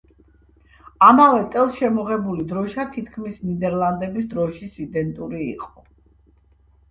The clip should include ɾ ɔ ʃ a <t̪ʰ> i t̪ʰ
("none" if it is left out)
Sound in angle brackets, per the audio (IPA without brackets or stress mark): t̪ʰ